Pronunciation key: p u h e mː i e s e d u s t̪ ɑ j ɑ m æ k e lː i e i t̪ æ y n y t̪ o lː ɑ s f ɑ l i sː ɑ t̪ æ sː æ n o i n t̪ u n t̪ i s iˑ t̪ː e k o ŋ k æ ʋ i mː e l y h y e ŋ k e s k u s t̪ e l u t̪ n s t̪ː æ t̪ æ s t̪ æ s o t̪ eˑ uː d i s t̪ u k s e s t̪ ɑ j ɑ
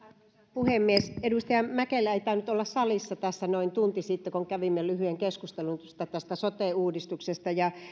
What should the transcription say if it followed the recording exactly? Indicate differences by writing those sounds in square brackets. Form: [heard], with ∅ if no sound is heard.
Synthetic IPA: p u h e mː i e s e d u s t̪ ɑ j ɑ m æ k e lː [æ] e i t̪ æ y n y t̪ o lː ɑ s [s] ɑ l i sː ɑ t̪ æ sː æ n o i n t̪ u n t̪ i s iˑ t̪ː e k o ŋ k æ ʋ i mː e l y h y e ŋ k e s k u s t̪ e l u [∅] n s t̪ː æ t̪ æ s t̪ æ s o t̪ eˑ uː d i s t̪ u k s e s t̪ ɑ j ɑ